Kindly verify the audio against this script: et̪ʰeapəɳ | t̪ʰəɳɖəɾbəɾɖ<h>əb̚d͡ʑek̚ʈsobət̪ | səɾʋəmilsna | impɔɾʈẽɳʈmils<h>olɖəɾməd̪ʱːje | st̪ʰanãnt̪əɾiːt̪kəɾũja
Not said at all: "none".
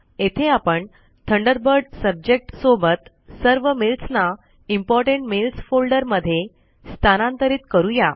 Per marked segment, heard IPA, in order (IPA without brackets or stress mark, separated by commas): s, f